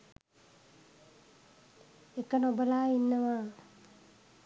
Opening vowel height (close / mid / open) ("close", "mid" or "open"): mid